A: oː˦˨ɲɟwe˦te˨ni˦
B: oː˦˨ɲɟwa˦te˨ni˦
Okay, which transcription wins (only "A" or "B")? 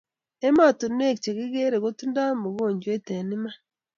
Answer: A